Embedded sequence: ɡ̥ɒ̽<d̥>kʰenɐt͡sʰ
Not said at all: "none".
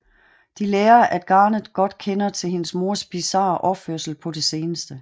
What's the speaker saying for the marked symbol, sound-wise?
d̥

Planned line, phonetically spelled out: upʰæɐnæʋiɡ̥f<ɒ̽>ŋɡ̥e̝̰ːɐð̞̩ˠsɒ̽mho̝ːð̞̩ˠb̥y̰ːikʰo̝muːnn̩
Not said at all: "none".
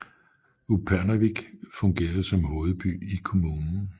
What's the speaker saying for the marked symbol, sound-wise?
ɔ̽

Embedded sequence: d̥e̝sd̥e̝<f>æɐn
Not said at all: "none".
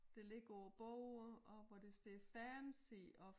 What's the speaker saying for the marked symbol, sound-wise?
f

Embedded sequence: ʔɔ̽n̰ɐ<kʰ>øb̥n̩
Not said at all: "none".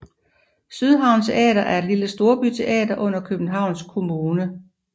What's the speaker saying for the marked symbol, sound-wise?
kʰ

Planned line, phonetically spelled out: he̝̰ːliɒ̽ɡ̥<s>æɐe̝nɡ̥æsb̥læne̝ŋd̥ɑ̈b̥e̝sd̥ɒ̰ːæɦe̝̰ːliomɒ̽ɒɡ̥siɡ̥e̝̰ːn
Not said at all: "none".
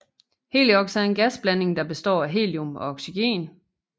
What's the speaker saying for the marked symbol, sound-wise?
s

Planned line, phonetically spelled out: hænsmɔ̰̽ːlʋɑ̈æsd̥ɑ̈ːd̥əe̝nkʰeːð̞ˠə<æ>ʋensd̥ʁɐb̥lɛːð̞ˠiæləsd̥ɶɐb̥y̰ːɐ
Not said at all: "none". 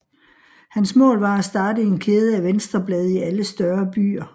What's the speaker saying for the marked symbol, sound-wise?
æ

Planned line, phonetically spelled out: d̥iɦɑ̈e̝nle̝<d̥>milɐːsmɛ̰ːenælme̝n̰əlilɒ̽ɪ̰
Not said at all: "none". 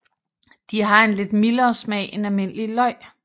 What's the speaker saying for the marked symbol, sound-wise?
d̥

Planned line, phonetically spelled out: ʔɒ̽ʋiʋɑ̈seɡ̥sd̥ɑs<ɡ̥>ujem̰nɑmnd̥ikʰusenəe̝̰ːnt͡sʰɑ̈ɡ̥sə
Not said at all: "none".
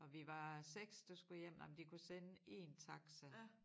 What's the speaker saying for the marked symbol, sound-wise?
ɡ̥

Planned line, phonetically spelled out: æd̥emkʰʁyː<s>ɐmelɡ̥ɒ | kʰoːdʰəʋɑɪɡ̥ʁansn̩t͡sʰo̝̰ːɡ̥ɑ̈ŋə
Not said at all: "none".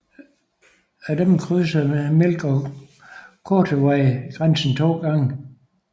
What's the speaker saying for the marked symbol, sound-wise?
s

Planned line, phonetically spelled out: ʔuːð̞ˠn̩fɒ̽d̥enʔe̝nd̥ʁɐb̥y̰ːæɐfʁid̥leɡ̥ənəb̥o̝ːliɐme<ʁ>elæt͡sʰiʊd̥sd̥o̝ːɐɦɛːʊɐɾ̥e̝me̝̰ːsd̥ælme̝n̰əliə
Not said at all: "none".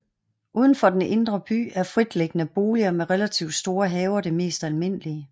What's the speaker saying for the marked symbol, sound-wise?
ʁ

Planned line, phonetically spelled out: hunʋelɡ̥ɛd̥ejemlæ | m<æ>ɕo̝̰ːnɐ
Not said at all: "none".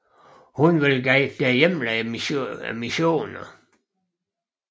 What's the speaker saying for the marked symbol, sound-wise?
i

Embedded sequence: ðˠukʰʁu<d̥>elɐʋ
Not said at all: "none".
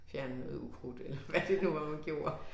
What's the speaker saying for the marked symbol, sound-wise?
d̥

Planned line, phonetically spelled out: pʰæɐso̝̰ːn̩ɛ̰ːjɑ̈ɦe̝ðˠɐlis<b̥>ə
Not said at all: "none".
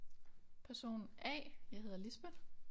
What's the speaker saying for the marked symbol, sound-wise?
b̥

